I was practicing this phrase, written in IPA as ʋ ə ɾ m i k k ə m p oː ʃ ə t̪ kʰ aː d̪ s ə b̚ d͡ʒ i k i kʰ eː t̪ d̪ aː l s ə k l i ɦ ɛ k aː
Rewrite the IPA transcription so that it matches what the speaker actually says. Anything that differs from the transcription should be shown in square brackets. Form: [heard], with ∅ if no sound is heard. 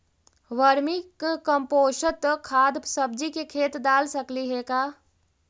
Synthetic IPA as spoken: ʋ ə ɾ m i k k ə m p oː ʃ ə t̪ kʰ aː d̪ s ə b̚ d͡ʒ i k [e] kʰ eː t̪ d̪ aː l s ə k l i ɦ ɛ k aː